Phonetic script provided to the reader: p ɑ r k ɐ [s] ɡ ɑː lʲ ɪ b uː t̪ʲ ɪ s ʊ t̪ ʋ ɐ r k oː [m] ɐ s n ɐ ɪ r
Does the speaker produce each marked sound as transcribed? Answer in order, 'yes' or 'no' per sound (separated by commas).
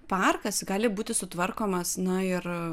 yes, yes